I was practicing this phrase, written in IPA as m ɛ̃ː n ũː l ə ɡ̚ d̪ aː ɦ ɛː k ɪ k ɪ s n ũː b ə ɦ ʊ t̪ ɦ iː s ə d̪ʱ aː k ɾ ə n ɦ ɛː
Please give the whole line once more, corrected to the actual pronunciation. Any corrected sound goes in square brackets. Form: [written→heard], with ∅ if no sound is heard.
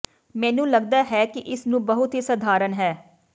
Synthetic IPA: m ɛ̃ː n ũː l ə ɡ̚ d̪ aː ɦ ɛː k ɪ [k→ʔ] ɪ s n ũː b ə ɦ ʊ t̪ ɦ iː s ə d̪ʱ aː [k→∅] ɾ ə n ɦ ɛː